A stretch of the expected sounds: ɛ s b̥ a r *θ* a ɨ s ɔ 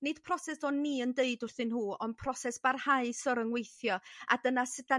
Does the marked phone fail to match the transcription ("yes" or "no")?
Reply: yes